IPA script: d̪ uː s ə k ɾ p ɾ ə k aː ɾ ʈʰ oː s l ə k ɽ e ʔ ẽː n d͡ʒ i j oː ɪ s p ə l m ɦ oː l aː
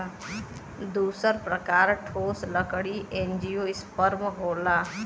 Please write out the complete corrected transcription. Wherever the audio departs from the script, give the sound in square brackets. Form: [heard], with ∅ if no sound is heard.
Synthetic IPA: d̪ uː s ə [∅] ɾ p ɾ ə k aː ɾ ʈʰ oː s l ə k ɽ [i] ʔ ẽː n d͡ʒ i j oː ɪ s p ə [ɾ] m ɦ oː l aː